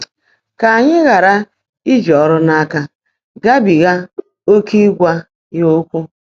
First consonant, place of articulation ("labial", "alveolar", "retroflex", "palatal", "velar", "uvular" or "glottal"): velar